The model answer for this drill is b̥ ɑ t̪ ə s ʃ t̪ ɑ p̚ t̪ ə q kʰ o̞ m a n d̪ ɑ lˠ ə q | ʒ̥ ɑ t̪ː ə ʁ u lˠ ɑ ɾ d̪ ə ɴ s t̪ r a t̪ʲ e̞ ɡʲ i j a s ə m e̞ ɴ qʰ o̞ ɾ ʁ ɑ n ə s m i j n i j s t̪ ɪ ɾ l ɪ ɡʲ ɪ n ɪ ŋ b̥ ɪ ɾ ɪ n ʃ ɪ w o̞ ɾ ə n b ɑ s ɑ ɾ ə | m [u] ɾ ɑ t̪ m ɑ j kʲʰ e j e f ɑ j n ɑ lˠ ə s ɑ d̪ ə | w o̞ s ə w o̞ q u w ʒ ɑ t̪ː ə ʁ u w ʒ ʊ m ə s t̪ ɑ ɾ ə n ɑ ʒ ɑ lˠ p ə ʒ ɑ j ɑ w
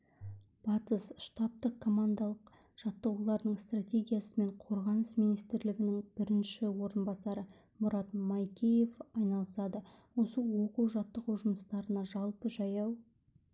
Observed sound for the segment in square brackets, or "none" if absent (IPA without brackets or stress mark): ʊ